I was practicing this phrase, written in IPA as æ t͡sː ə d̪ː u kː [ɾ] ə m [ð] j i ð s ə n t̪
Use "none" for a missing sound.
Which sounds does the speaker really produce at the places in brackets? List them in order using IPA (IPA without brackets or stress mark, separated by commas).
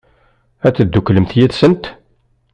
l, θ